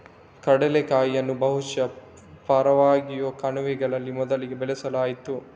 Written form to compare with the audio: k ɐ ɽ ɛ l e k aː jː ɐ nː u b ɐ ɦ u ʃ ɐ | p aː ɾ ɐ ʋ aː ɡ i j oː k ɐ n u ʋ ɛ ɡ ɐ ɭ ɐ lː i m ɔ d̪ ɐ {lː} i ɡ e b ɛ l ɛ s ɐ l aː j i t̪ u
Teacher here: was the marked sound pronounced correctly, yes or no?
no